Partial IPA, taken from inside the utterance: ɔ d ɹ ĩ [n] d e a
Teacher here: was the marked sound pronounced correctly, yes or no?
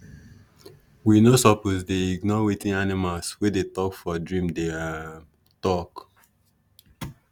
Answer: no